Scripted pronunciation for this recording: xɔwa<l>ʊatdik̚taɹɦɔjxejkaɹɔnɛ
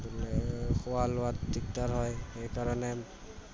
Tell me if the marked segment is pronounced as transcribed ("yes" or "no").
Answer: yes